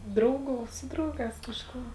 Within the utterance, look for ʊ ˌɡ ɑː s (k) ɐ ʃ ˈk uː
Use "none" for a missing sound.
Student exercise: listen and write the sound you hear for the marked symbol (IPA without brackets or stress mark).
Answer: k